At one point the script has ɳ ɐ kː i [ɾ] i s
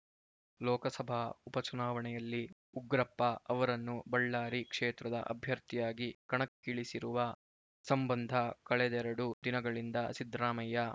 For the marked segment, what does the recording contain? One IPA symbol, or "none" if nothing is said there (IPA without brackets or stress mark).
ɭ